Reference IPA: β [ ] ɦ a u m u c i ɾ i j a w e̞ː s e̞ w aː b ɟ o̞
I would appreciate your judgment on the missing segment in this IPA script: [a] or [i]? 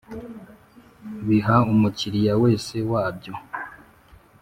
i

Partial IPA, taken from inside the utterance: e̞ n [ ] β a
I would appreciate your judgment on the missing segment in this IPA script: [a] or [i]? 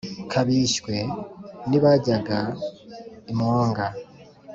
i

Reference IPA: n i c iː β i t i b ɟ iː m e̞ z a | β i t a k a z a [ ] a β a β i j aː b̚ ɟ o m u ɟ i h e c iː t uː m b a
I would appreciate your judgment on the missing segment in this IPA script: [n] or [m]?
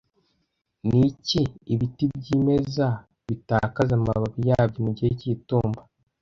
m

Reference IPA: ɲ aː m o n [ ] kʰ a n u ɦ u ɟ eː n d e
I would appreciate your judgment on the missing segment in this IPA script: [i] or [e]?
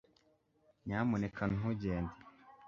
e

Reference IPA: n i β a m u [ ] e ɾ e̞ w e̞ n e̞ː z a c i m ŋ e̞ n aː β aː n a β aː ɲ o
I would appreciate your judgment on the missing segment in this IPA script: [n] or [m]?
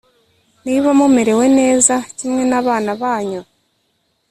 m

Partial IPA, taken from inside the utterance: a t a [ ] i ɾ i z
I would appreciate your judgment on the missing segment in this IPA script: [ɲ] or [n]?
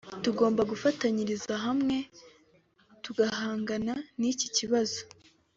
ɲ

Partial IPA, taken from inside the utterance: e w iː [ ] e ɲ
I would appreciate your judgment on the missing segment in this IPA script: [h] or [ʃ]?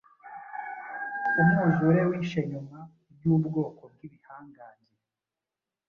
ʃ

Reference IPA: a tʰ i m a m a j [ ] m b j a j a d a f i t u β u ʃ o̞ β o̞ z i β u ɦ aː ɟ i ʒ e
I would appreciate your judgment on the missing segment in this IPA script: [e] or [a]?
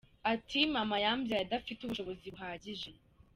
a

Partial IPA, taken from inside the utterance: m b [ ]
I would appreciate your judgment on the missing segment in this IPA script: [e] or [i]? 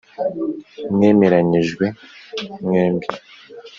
i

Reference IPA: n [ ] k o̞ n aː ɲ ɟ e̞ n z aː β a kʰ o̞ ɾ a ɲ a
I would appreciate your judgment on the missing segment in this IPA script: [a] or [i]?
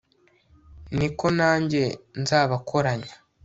i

